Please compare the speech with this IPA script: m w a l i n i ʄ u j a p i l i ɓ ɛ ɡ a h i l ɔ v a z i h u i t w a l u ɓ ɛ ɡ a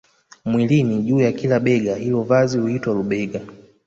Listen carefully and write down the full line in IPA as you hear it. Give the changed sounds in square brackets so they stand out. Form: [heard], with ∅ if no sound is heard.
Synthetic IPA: m w [i] l i n i ʄ [uː] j a [k] i l [a] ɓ ɛ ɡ a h i l ɔ v a z i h u i t w a l u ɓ ɛ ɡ a